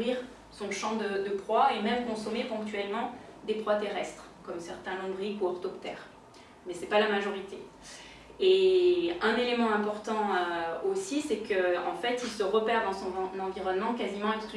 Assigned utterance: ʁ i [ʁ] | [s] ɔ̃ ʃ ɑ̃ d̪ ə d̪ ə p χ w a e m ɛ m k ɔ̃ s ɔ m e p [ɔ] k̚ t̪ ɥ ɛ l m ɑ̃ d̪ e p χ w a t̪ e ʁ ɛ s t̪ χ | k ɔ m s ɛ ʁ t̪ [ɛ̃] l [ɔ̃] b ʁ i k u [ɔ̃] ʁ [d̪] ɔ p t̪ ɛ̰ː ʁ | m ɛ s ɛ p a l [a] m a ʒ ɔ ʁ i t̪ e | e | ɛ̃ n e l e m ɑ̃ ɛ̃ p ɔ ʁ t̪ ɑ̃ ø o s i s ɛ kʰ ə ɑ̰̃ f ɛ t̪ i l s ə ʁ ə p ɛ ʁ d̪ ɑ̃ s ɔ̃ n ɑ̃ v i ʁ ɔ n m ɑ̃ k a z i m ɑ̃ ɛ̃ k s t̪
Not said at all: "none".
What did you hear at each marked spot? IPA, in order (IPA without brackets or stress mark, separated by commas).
ʁ, s, ɔ̃, ɛ̃, ɔ̃, ɔ, t̪, a